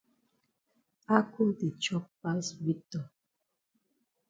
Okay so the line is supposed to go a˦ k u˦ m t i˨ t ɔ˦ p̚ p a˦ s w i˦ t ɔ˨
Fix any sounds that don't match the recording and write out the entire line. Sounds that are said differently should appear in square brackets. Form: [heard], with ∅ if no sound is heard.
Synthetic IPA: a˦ k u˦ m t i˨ [t͡ʃ] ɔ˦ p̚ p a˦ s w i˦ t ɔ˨